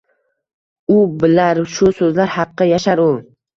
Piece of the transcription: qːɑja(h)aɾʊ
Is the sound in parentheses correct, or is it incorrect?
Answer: incorrect: ʃ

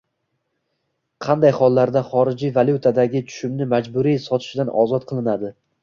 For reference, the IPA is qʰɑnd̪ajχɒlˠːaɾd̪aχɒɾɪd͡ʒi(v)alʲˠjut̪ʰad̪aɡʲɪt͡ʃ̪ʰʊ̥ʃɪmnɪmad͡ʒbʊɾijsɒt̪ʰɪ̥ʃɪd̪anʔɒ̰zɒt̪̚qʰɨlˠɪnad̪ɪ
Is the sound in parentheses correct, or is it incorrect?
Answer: correct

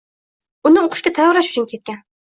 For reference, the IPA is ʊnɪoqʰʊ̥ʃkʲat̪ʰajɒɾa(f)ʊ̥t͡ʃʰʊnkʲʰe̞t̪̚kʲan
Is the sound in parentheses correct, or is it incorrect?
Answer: incorrect: ʃ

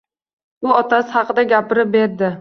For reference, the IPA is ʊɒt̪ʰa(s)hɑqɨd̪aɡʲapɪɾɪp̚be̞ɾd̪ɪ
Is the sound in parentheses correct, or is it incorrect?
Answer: correct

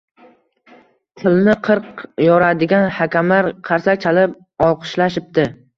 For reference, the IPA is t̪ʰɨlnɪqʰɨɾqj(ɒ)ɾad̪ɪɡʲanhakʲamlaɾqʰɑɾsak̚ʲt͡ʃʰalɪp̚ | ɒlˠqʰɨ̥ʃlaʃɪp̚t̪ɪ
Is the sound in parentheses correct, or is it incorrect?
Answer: correct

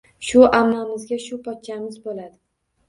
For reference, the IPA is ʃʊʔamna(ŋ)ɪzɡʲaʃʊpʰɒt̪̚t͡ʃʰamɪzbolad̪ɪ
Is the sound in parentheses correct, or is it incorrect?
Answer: incorrect: m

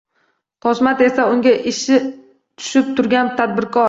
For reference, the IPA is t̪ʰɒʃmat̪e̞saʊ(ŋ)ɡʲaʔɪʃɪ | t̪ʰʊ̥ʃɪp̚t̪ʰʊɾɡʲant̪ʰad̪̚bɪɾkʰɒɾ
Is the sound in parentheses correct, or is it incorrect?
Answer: correct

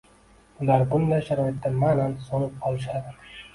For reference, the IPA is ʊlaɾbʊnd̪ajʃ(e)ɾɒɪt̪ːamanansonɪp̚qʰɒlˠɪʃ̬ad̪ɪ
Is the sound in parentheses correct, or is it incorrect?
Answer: incorrect: a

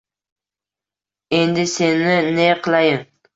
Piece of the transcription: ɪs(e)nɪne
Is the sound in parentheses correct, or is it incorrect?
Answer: correct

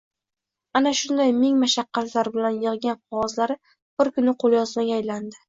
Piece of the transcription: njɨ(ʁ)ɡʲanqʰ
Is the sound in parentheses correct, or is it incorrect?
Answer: correct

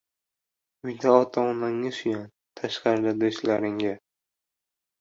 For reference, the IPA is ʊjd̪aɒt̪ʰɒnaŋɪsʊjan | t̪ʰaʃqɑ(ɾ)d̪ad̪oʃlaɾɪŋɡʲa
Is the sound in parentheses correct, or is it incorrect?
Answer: correct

